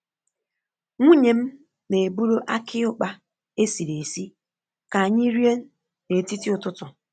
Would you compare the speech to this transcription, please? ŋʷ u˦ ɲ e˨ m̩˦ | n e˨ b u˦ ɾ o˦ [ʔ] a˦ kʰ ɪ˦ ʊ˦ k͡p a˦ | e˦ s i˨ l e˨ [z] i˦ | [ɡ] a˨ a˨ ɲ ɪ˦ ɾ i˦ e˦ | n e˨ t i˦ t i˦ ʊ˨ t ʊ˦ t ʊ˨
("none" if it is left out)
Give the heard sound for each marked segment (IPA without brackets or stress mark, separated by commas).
ʔ, s, k